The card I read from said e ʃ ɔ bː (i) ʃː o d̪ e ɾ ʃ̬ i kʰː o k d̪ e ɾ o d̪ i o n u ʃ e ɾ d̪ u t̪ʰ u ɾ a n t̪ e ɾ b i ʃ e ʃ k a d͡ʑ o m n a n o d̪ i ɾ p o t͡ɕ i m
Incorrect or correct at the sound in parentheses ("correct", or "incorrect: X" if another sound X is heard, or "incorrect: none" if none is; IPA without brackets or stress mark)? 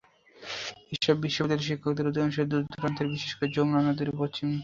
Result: correct